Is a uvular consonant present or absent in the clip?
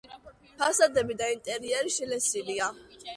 absent